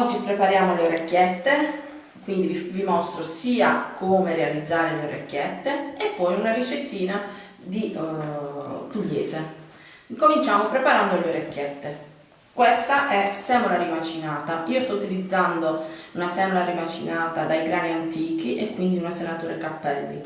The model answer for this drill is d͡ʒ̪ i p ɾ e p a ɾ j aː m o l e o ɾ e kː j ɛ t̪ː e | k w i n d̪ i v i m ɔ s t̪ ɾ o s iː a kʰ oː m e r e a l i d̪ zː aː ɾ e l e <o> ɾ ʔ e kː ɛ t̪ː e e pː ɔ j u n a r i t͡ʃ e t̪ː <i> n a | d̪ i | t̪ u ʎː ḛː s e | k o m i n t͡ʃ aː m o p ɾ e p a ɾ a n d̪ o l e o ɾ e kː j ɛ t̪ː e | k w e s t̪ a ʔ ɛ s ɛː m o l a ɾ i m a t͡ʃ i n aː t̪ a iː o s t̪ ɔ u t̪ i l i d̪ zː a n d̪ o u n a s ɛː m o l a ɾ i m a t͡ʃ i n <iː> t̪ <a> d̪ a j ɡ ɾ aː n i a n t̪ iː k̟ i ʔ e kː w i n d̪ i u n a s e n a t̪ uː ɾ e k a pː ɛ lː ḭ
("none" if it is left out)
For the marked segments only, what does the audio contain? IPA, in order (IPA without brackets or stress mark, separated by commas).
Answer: o, iː, aː, a